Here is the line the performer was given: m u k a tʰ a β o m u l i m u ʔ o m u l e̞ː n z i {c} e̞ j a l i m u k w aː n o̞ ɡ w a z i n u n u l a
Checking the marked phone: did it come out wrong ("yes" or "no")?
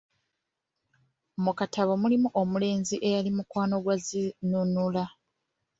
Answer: yes